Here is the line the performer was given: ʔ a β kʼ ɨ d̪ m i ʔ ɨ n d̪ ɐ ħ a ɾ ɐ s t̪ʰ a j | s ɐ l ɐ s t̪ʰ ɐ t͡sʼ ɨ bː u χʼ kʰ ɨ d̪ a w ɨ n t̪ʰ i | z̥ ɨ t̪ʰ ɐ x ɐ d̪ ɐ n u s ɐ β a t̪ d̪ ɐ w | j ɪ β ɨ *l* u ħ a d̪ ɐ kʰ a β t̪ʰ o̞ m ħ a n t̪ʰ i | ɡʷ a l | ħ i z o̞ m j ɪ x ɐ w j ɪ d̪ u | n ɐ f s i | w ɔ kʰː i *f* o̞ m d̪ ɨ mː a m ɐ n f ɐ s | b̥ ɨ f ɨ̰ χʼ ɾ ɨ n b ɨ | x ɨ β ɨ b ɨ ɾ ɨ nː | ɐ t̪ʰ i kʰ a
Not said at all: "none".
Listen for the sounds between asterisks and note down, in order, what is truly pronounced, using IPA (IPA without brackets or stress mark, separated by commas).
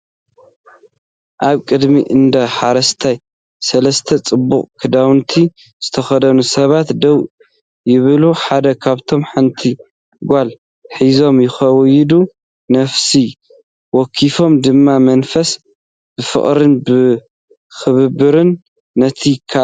l, f